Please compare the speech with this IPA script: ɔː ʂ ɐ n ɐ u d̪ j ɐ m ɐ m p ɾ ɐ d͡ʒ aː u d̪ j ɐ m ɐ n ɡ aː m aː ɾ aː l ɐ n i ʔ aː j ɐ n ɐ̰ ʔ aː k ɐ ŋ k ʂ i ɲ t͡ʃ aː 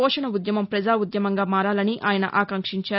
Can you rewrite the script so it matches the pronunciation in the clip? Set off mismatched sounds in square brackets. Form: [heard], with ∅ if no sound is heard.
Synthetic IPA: ɔː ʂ ɐ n ɐ u d̪ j ɐ m ɐ m p ɾ ɐ d͡ʒ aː u d̪ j ɐ m ɐ [ŋ] ɡ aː m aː ɾ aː l ɐ n i ʔ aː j ɐ n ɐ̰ ʔ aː k ɐ ŋ k ʂ i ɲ t͡ʃ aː